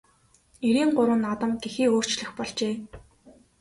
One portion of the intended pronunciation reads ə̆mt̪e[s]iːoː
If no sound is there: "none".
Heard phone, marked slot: x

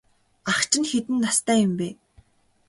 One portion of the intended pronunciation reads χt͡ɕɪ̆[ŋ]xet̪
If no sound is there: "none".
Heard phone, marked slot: n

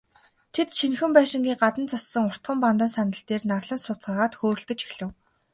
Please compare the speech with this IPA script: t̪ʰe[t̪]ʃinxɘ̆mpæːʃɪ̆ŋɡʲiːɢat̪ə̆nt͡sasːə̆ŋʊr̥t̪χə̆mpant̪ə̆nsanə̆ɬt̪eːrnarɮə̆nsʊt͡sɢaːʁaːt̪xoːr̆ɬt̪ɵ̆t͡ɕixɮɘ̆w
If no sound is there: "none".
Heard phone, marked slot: t̪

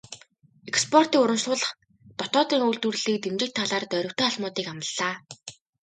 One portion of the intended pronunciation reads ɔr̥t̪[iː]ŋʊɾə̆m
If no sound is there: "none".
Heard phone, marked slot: iː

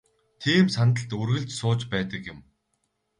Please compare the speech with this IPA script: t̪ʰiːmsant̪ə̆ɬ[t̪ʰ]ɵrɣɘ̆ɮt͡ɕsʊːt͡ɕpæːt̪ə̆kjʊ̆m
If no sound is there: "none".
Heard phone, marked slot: t̪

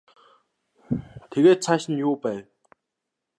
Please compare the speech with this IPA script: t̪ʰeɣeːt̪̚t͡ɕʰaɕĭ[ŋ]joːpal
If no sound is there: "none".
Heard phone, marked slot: n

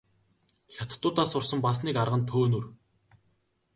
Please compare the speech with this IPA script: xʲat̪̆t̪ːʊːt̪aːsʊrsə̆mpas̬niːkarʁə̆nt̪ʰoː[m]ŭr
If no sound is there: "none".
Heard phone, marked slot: n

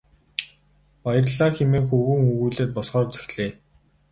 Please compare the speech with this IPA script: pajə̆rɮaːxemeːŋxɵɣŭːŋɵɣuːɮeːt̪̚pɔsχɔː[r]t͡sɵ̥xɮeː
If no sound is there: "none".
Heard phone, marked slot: r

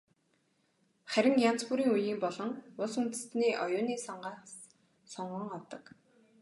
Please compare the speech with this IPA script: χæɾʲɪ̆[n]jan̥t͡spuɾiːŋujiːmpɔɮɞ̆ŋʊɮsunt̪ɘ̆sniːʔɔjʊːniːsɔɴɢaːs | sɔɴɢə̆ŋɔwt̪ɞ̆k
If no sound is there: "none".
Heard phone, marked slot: ŋ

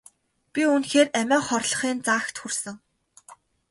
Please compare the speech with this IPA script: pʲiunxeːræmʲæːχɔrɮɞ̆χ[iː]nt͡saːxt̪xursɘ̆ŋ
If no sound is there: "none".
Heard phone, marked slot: iː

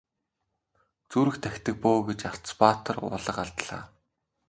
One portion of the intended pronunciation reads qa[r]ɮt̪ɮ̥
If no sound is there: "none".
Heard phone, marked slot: none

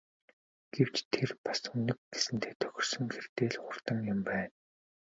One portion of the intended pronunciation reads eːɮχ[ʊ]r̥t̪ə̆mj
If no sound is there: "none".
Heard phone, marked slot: ʊ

